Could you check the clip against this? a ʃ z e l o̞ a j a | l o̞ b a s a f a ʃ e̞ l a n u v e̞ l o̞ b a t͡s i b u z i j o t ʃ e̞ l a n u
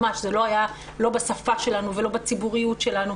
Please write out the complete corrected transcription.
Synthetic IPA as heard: a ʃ z e l o̞ a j a | l o̞ b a s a f a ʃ e̞ l a n u v e̞ l o̞ b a t͡s i b u ʁ i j u t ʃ e̞ l a n u